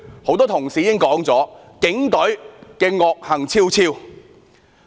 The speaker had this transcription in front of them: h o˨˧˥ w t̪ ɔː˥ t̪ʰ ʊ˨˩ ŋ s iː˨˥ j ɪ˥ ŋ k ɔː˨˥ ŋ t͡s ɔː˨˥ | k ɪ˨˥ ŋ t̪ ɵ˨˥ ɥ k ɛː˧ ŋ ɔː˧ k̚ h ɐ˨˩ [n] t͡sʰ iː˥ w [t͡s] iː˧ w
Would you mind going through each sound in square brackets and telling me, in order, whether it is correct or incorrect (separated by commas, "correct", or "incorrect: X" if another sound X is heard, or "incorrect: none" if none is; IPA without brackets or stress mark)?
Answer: incorrect: ŋ, incorrect: t͡sʰ